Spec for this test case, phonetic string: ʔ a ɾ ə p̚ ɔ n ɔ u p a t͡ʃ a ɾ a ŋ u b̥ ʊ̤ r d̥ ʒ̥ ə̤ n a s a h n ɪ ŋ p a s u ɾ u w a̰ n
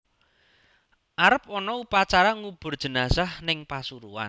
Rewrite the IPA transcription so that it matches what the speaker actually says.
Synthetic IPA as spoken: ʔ a ɾ ə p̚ ɔ n ɔ u p a t͡ʃ a ɾ a ŋ u b̥ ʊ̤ r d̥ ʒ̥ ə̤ n a s a h n ɪ ŋ p a s u ɾ u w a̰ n